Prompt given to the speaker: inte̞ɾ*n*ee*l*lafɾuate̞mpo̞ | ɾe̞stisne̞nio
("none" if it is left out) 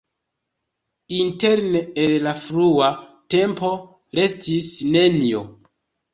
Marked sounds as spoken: n, l

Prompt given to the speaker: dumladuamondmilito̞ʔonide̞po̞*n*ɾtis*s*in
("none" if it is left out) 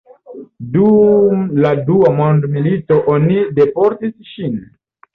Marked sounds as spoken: none, ʃ

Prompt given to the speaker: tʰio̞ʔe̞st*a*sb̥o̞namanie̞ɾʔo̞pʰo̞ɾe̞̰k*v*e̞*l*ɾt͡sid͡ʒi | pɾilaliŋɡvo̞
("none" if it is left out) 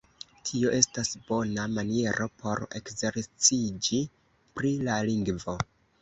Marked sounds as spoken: a, z, none

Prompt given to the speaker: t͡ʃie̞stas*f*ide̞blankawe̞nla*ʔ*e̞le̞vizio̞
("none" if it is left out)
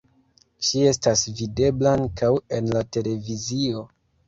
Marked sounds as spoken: v, t

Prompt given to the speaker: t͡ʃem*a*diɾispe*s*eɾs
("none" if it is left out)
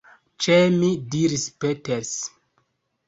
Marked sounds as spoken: i, t

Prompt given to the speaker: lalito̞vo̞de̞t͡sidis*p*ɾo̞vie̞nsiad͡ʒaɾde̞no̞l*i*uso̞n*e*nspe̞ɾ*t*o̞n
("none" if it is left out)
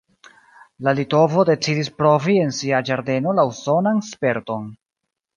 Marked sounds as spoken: p, a, a, t

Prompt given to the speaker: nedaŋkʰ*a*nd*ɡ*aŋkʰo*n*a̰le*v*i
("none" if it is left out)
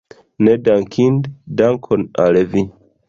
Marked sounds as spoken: i, d, n, v

